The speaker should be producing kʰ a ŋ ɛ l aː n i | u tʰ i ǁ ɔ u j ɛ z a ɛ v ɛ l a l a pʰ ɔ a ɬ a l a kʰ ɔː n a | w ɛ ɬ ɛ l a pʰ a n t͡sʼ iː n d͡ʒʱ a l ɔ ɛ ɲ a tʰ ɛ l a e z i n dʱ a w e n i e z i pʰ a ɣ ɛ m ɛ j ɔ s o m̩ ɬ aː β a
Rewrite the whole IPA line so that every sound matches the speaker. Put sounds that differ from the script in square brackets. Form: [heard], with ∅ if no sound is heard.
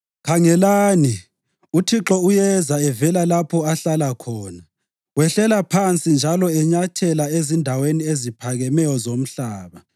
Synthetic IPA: kʰ a ŋ ɛ l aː n i | u tʰ i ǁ ɔ u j ɛ z a ɛ v ɛ l a l a pʰ ɔ a ɬ a l a kʰ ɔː n a | w ɛ ɬ ɛ l a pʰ a n t͡sʼ [i] n d͡ʒʱ a l ɔ ɛ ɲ a tʰ ɛ l a e z i n dʱ a w e n i e z i pʰ a ɣ ɛ m ɛ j ɔ [z] o m̩ ɬ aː β a